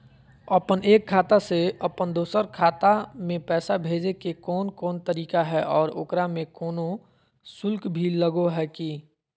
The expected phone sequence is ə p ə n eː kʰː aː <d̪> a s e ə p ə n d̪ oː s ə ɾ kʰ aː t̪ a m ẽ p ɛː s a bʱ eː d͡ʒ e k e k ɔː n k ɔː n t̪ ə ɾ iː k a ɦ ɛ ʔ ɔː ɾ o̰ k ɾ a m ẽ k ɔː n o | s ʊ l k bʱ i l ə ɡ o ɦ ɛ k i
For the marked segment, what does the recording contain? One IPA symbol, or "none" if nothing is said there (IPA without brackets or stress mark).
t̪